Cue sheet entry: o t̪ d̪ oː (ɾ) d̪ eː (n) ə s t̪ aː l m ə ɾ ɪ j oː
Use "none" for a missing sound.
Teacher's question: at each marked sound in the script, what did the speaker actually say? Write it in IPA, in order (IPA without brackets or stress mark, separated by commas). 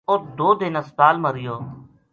none, n